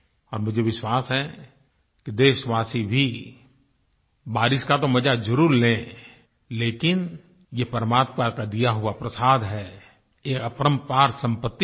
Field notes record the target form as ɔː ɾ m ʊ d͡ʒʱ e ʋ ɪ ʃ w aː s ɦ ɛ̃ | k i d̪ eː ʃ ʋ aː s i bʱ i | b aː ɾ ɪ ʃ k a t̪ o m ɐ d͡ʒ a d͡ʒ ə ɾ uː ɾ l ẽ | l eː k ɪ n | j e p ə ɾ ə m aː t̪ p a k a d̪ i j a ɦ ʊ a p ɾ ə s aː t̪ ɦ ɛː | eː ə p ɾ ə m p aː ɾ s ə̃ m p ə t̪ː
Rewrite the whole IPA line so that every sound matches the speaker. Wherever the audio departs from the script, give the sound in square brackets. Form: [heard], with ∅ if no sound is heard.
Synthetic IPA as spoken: ɔː ɾ m ʊ d͡ʒʱ e ʋ ɪ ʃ w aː s ɦ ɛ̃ | k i d̪ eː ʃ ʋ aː s i bʱ i | b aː ɾ ɪ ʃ k a t̪ o m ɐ d͡ʒ a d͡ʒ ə ɾ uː ɾ l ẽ | l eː k ɪ n | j e p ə ɾ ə m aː t̪ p a k a d̪ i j a ɦ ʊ a p ɾ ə s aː [d̪] ɦ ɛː | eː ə p ɾ ə m p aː ɾ s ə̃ m p ə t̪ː